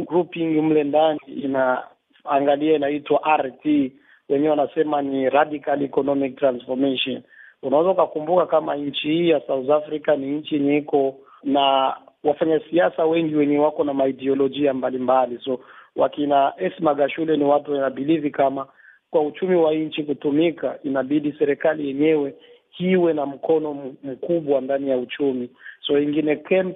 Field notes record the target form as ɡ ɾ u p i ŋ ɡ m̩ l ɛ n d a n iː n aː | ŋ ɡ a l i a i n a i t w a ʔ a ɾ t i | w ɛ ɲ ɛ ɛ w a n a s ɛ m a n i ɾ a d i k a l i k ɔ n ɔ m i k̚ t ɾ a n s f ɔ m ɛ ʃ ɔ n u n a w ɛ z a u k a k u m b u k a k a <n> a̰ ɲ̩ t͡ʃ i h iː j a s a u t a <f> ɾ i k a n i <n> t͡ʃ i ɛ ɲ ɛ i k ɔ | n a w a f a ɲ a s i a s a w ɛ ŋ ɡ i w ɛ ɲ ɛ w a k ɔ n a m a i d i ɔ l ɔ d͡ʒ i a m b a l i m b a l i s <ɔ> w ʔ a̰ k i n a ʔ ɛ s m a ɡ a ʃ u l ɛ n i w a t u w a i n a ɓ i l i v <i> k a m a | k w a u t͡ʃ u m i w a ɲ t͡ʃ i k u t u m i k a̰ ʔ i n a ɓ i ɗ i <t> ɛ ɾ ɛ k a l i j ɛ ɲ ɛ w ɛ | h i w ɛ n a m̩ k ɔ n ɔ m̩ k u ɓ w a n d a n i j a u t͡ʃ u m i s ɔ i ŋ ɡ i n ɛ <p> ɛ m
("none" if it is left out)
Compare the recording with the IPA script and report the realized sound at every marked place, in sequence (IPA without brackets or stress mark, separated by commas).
m, f, ɲ, ɔ, i, s, k